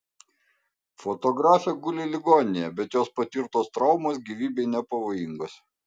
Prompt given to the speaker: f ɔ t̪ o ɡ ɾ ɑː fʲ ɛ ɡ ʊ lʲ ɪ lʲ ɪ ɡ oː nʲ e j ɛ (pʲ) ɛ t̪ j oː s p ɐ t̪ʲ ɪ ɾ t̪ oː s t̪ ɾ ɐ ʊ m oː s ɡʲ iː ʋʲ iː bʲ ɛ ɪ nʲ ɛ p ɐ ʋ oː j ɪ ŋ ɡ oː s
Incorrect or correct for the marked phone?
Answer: incorrect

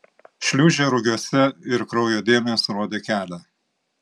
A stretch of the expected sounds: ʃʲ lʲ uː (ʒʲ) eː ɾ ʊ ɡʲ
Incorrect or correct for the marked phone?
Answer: correct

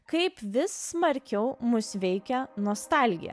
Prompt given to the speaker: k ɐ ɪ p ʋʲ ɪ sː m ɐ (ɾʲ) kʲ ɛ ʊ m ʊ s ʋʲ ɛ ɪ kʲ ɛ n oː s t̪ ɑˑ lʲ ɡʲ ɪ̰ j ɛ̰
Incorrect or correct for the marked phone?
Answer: correct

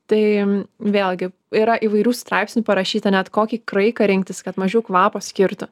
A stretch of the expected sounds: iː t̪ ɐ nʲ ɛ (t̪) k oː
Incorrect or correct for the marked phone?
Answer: correct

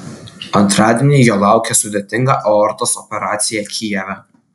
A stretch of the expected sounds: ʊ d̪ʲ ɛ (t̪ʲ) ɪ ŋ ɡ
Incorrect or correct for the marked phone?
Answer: correct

